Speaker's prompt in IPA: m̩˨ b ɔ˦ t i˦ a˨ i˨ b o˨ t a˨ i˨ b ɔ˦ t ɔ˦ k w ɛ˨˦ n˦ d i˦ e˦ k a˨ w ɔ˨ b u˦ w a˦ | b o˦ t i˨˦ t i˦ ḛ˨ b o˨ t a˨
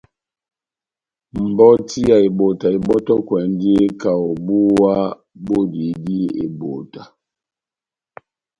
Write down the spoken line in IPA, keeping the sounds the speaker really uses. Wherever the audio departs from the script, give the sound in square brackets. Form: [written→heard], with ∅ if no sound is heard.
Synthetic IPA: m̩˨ b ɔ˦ t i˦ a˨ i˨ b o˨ t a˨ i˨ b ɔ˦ t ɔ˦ k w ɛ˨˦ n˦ d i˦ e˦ k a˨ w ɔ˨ b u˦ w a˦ | b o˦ [t→d] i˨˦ [t→d] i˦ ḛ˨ b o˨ t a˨